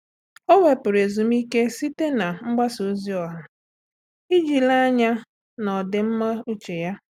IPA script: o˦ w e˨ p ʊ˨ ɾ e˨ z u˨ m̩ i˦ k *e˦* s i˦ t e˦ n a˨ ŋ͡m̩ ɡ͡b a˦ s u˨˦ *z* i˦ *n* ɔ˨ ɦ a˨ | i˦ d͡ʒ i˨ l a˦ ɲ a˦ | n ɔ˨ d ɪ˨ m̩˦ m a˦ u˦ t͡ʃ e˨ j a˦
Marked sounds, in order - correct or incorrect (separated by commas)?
correct, correct, incorrect